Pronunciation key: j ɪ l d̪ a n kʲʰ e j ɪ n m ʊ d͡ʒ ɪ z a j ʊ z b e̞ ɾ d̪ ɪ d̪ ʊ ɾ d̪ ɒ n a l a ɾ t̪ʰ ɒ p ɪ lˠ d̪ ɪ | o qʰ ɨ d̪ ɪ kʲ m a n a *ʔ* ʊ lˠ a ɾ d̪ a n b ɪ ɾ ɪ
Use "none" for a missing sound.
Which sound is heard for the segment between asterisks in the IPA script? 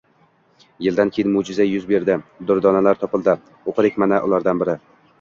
ʔ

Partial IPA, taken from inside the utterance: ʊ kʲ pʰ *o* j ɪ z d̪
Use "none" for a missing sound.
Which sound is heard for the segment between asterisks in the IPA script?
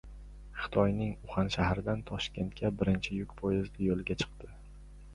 o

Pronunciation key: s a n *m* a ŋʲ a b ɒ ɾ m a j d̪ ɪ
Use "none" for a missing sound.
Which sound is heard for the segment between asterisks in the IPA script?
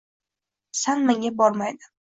m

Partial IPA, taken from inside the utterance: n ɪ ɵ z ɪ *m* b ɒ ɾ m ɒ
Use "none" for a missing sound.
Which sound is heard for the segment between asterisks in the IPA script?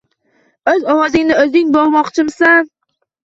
ŋ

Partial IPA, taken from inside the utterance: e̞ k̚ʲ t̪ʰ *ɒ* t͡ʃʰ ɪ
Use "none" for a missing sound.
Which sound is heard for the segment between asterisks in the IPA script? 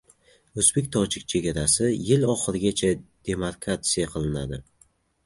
ɒ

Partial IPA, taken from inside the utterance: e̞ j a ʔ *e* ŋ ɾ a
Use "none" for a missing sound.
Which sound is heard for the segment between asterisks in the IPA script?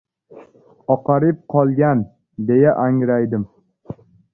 a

